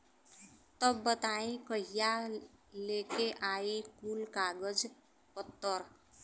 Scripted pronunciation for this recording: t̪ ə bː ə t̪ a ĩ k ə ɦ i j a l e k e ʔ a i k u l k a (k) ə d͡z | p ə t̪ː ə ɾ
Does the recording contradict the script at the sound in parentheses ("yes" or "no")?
yes